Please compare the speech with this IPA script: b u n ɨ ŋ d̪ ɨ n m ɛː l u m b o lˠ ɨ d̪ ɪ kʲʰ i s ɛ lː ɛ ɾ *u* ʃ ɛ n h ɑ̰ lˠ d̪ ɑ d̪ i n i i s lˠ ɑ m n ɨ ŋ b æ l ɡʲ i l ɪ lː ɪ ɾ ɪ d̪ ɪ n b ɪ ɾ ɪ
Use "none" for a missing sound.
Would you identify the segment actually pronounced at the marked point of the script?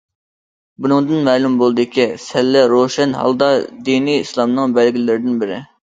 o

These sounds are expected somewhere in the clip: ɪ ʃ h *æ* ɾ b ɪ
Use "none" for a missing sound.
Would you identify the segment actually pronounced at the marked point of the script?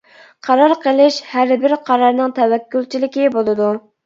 æ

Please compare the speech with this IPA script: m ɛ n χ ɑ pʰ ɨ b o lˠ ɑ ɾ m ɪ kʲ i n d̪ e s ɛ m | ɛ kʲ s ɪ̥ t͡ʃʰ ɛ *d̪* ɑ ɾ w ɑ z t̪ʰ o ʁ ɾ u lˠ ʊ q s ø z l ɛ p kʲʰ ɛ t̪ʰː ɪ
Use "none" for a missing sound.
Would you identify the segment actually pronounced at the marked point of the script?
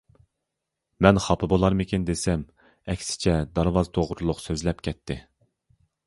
d̪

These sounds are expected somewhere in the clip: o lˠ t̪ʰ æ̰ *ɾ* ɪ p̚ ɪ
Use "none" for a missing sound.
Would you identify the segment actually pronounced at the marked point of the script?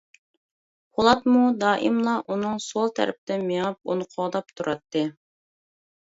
ɾ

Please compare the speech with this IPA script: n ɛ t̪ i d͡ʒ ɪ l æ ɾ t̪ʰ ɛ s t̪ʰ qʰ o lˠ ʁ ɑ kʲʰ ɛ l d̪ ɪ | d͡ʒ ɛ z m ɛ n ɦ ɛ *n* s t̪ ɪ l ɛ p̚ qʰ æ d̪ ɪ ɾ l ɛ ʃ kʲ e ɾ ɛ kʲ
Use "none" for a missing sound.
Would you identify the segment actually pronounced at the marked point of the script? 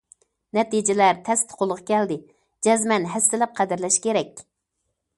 none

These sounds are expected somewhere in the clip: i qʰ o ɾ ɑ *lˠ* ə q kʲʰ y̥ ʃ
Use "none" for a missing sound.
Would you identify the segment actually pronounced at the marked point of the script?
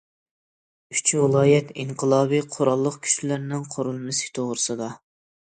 lˠː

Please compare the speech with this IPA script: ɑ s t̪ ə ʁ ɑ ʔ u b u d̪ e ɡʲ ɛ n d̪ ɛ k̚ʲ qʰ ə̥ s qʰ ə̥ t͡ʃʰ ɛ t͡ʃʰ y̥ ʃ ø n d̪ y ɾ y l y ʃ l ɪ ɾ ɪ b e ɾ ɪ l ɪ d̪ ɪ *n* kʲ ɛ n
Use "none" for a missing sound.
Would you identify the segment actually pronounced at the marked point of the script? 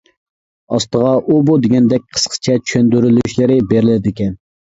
none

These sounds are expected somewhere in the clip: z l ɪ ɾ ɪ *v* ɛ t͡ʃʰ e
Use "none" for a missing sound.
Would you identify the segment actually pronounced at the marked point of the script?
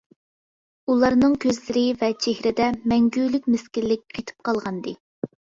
v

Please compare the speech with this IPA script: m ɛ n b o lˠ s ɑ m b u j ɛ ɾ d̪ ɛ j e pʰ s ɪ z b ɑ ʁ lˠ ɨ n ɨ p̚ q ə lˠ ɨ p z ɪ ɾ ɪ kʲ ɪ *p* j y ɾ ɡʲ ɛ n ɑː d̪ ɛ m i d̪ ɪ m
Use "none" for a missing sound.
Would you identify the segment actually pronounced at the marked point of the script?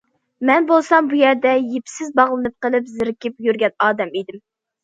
p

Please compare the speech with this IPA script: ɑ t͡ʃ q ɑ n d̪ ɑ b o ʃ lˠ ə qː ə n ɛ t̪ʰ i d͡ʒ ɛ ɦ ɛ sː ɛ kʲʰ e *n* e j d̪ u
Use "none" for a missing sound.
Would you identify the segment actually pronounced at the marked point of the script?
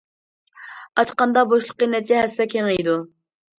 ŋ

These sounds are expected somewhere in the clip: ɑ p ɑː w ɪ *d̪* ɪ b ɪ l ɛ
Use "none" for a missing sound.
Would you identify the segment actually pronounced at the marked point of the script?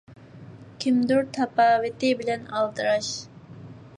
t̪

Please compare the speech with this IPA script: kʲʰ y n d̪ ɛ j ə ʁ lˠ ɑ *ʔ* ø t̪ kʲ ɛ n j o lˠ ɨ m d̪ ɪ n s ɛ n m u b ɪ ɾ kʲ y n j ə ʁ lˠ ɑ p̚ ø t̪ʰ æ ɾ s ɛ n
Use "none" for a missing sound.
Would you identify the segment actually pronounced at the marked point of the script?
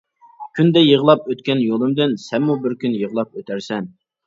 p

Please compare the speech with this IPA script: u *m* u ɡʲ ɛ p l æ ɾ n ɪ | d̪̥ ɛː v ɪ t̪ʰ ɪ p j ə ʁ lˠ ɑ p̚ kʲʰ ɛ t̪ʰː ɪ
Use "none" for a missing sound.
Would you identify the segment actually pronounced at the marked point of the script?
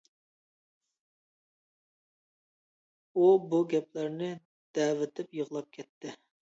b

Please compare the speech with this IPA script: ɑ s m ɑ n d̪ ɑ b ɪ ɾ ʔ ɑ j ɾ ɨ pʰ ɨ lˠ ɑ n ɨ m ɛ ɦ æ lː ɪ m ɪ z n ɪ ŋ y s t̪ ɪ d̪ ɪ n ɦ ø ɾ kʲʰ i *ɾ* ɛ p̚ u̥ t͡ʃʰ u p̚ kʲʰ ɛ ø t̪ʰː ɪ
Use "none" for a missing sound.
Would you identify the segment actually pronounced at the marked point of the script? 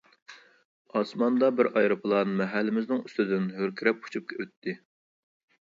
ɾ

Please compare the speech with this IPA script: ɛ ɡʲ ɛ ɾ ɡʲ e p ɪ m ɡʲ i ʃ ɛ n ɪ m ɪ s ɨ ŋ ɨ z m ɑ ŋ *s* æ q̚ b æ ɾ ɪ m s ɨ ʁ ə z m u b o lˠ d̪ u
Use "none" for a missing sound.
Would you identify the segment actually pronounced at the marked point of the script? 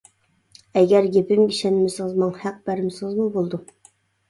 h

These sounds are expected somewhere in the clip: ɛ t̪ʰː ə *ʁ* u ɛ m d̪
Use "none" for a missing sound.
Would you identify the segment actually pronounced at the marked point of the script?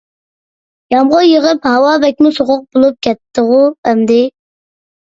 ʁ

